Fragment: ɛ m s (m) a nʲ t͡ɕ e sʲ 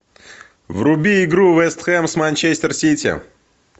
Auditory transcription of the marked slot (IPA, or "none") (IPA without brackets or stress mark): m